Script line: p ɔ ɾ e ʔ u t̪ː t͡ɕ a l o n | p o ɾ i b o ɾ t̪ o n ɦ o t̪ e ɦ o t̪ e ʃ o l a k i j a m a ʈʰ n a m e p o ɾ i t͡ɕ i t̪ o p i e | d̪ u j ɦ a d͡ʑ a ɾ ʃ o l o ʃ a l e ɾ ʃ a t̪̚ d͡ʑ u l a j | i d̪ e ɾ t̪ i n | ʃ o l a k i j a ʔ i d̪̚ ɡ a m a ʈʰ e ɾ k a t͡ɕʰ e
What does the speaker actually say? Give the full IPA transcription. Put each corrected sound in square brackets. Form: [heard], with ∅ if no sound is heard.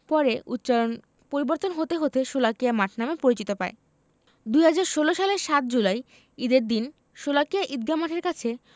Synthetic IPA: p ɔ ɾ e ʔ u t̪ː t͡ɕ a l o n | p o ɾ i b o ɾ t̪ o n ɦ o t̪ e ɦ o t̪ e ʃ o l a k i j a m a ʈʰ n a m e p o ɾ i t͡ɕ i t̪ o p [a] e | d̪ u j ɦ a d͡ʑ a ɾ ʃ o l o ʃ a l e ɾ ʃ a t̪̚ d͡ʑ u l a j | i d̪ e ɾ [d̪] i n | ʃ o l a k i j a ʔ i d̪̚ ɡ a m a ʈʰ e ɾ k a t͡ɕʰ e